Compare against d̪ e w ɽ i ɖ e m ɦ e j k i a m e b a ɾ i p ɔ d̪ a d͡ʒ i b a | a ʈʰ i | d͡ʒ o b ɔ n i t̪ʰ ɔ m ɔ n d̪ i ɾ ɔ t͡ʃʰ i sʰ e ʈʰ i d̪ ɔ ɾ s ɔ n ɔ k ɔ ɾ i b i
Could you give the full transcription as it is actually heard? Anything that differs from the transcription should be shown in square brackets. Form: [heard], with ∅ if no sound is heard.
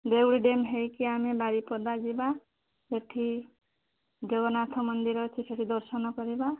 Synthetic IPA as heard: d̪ e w ɽ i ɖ e m ɦ e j k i a m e b a ɾ i p ɔ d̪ a d͡ʒ i b a | [e] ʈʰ i | d͡ʒ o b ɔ n [a] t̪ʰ ɔ m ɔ n d̪ i ɾ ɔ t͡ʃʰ i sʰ e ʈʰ i d̪ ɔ ɾ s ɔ n ɔ k ɔ ɾ i b [a]